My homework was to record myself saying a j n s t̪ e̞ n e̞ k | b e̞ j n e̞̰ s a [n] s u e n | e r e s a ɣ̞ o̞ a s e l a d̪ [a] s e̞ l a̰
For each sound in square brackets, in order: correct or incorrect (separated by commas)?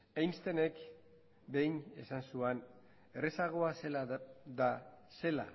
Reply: correct, correct